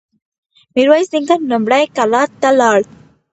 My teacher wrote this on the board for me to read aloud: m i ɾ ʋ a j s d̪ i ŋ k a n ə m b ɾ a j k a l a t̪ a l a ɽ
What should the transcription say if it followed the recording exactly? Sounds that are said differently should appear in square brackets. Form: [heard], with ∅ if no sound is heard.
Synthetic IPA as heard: m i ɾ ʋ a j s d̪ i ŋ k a n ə m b [ɽ] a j k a l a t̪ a l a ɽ